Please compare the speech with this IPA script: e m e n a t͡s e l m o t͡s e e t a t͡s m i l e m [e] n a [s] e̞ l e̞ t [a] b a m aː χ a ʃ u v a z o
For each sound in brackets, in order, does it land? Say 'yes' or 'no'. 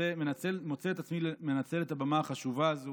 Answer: yes, no, yes

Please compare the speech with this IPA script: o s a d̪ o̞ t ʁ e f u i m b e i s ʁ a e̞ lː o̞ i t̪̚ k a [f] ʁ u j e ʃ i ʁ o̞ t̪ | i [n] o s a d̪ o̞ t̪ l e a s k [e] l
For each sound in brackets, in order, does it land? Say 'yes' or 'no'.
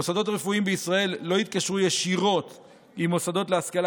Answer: no, no, no

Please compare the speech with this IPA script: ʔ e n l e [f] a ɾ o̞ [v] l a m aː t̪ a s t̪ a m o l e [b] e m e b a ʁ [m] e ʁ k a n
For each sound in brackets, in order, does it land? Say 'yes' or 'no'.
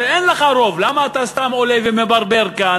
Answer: no, yes, no, no

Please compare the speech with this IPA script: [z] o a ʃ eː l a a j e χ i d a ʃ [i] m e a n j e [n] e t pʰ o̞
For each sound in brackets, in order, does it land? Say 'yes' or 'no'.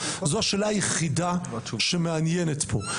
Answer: yes, no, yes

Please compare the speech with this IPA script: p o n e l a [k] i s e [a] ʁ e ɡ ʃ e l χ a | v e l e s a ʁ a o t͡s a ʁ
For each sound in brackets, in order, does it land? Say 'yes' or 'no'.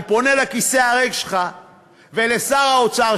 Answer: yes, yes

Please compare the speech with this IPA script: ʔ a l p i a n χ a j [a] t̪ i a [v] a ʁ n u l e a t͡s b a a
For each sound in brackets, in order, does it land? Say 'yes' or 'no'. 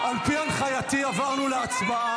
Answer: yes, yes

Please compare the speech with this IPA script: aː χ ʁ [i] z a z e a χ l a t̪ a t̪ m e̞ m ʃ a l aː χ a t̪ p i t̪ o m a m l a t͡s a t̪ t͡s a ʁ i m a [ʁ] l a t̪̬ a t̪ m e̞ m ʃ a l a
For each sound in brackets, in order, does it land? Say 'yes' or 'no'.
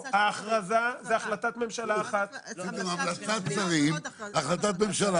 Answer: no, no

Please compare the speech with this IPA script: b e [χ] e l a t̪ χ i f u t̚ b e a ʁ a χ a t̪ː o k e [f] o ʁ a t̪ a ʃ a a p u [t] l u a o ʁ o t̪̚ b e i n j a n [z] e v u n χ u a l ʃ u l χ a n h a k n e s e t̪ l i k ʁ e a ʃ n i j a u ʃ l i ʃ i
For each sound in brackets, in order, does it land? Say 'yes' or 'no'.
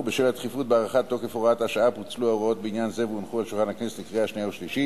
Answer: no, yes, no, yes

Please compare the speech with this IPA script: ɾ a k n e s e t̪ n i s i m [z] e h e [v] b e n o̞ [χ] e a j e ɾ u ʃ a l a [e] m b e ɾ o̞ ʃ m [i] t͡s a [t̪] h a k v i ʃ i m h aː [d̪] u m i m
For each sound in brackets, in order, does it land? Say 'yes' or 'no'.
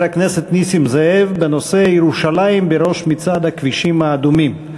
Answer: yes, yes, no, no, yes, no, yes

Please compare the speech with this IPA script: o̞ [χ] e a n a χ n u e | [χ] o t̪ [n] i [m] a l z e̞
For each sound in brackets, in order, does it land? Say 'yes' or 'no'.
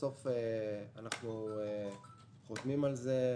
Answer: no, yes, no, yes

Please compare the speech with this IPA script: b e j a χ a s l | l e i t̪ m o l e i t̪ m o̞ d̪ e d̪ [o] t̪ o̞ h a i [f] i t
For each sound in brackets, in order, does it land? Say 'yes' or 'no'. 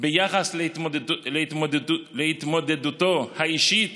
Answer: no, no

